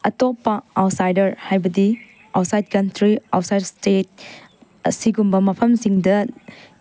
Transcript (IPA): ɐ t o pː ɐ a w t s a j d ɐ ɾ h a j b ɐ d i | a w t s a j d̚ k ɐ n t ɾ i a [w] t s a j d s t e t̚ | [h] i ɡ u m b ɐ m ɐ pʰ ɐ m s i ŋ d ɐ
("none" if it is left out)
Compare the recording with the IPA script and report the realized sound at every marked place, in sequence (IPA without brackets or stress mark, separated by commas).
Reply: w, s